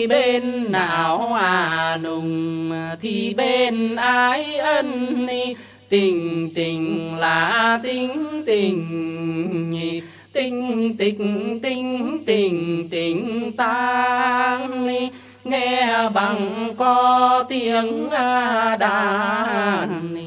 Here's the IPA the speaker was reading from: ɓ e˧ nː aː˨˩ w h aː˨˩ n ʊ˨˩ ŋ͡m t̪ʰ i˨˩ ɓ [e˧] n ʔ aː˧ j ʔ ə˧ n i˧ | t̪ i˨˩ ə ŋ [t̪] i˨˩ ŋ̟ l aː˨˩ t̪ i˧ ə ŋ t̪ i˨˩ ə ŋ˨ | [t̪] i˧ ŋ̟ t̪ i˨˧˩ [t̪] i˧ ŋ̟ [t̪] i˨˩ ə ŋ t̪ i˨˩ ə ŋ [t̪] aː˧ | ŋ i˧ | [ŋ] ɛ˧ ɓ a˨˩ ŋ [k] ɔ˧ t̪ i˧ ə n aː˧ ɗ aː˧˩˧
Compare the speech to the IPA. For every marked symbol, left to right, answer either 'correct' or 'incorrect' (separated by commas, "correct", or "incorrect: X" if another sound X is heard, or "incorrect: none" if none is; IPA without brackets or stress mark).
correct, correct, correct, correct, correct, correct, correct, correct